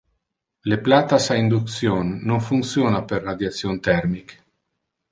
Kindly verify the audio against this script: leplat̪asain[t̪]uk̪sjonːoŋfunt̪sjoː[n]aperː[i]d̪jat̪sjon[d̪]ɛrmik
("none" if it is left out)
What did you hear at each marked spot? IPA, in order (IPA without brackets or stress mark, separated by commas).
d̪, n, a, t̪